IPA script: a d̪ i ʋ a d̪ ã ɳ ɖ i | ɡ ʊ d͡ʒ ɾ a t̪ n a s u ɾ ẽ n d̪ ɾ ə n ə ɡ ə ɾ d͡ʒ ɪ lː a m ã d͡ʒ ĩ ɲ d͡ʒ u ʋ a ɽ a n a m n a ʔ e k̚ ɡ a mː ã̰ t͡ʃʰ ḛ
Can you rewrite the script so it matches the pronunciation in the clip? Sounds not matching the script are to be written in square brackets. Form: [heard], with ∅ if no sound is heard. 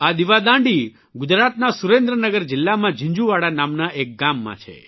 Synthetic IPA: a d̪ i ʋ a d̪ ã ɳ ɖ i | ɡ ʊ d͡ʒ ɾ a t̪ n a s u ɾ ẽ n d̪ ɾ ə n ə ɡ ə ɾ d͡ʒ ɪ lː a m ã d͡ʒ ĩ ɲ d͡ʒ u ʋ a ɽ a n a m n a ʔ e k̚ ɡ a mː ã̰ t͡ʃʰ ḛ